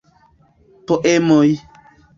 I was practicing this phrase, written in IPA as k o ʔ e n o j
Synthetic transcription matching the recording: p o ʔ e m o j